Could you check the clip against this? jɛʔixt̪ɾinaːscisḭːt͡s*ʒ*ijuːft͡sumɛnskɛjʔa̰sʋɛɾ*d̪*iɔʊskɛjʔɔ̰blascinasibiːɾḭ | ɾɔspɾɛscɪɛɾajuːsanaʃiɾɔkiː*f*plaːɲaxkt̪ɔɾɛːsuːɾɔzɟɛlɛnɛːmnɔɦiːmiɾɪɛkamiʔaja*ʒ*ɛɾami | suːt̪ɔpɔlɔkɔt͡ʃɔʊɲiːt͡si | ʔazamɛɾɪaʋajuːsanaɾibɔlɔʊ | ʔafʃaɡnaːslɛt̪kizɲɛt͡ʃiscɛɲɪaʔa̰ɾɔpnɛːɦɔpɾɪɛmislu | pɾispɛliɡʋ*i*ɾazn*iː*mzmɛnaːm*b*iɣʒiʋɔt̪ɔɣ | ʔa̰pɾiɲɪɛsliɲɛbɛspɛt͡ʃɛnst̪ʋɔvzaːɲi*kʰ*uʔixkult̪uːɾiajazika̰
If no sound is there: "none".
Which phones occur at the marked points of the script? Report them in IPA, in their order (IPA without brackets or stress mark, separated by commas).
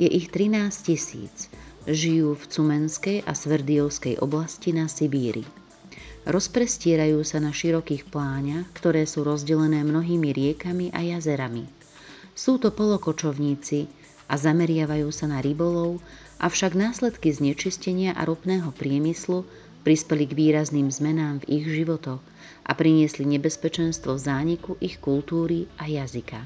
ʒ, d̪, x, z, iː, iː, v, k